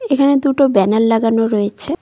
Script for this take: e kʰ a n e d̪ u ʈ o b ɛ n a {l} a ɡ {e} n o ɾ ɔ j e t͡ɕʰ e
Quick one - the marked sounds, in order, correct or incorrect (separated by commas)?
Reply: incorrect, incorrect